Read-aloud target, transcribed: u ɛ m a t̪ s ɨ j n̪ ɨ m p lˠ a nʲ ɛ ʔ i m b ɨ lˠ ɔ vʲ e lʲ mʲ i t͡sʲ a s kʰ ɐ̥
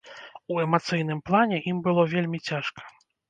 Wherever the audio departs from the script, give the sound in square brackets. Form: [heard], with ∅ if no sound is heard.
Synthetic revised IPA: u ɛ m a t̪ s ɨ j n̪ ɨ m p lˠ a nʲ ɛ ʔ i m b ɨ lˠ ɔ vʲ e lʲ mʲ i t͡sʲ a [ʂ] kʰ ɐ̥